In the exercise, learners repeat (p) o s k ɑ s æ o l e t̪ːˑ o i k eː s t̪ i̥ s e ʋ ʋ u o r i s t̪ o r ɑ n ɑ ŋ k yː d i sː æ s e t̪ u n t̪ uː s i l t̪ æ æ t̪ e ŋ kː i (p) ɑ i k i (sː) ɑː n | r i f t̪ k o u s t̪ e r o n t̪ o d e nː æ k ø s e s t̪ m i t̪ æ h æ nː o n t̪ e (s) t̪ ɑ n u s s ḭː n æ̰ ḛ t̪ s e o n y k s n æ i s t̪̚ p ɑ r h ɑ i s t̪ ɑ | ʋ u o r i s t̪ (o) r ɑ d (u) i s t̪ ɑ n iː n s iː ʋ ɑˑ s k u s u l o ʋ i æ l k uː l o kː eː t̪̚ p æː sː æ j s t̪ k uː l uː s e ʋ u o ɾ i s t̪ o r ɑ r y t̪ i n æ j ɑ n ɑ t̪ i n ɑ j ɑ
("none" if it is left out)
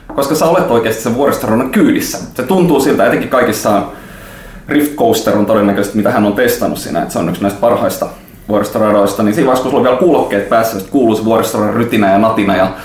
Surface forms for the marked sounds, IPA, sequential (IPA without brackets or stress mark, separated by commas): k, k, sː, s, o, o